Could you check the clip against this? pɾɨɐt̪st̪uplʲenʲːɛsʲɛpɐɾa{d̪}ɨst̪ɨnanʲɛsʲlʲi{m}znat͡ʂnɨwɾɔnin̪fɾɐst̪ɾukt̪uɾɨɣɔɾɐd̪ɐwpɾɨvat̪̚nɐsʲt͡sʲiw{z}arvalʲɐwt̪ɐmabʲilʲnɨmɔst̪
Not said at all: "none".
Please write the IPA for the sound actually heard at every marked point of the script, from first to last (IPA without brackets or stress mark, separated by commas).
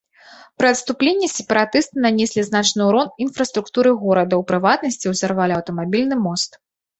t̪, none, z